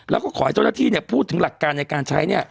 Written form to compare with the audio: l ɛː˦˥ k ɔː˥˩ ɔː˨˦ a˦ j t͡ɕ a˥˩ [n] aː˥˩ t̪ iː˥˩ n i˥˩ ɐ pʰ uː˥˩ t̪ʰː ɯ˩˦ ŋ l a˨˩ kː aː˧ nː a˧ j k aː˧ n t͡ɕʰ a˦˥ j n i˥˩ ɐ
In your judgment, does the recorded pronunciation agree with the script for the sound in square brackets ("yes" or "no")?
yes